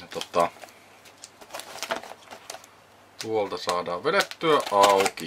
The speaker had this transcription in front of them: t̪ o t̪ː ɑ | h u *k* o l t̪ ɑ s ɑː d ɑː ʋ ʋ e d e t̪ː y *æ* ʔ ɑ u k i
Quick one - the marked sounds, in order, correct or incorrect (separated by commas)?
incorrect, correct